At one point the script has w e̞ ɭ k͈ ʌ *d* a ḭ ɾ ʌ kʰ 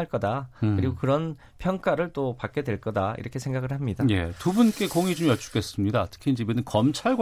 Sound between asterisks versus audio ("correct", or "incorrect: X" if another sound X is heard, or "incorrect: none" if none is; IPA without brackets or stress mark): correct